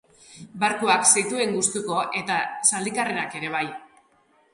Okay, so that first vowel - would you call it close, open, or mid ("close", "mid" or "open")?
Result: open